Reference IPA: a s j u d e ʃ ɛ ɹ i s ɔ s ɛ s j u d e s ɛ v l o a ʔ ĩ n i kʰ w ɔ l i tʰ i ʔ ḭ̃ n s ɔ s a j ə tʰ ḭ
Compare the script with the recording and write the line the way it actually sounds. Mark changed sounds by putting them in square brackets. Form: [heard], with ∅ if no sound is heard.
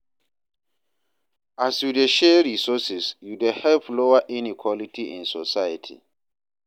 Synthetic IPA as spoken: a s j u d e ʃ ɛ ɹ i s ɔ s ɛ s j u d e [h] ɛ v l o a ʔ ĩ n i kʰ w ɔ l i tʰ i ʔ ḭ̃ n s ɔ s a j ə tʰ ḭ

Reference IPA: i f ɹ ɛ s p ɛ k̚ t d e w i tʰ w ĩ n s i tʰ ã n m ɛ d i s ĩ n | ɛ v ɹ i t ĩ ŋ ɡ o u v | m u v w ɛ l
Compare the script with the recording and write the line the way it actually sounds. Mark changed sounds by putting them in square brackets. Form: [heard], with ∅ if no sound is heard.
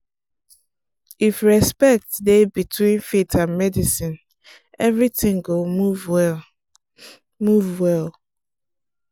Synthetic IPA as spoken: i f ɹ ɛ s p ɛ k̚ t d e [b] i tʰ w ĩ n [f] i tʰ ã n m ɛ d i s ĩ n | ɛ v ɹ i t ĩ ŋ ɡ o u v | m u v w ɛ l

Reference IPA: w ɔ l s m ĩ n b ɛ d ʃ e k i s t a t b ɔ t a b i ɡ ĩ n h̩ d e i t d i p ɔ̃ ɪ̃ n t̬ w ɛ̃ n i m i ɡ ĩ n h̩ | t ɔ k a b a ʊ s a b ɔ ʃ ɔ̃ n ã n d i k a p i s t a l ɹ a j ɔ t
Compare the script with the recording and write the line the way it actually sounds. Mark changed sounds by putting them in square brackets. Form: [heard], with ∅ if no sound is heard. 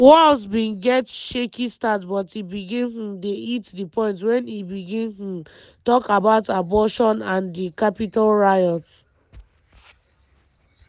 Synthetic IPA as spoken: w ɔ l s [b] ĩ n [ɡ] ɛ [t] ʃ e k i s t a t b ɔ t [i] b i ɡ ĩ n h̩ d e i t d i p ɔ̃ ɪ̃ n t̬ w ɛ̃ n i [b] i ɡ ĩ n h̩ | t ɔ k a b a ʊ [t] a b ɔ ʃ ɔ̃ n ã n d i k a p i [∅] t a l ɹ a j ɔ t

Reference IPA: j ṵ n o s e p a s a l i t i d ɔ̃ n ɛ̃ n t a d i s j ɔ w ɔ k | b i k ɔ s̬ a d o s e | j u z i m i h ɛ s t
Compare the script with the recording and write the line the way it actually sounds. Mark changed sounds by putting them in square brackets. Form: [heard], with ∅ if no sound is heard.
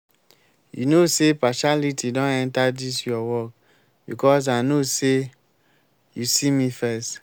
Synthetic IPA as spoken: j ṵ n o s e p a [ʃ] a l i t i d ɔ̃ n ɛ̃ n t a d i s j ɔ w ɔ k | b i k ɔ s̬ a [n] o s e | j u [s] i m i [f] ɛ s t

